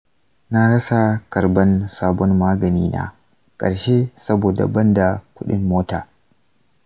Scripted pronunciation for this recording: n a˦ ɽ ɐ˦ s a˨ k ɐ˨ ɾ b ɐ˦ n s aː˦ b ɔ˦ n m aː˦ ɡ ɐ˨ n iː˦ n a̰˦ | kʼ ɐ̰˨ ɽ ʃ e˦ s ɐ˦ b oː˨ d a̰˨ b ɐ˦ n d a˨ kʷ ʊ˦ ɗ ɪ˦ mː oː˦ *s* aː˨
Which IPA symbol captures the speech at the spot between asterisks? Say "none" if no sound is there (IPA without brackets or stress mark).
t